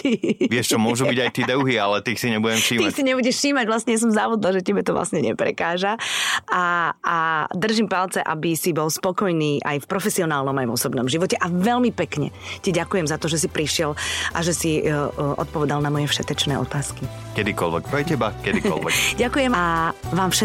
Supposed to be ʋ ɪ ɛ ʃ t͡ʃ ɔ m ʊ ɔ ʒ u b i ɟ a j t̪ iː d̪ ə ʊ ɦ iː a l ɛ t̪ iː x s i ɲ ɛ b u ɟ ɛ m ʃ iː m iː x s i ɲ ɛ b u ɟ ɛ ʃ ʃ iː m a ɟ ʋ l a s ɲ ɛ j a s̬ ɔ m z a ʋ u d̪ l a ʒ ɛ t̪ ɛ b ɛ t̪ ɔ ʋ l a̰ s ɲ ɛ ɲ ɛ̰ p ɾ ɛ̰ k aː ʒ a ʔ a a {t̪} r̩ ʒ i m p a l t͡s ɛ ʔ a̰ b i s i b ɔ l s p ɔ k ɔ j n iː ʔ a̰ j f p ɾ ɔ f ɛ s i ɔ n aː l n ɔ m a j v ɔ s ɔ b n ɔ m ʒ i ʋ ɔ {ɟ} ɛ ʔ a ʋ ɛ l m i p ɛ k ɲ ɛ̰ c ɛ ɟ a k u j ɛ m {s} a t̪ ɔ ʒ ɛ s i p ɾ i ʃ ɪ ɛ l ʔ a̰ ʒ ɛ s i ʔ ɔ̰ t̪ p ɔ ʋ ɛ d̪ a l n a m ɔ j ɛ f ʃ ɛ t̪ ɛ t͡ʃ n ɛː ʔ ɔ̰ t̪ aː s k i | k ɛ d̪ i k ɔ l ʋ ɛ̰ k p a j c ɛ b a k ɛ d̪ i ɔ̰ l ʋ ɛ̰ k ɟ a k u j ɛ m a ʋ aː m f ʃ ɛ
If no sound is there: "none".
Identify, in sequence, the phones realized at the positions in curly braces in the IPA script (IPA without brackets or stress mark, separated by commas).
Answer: d̪, c, z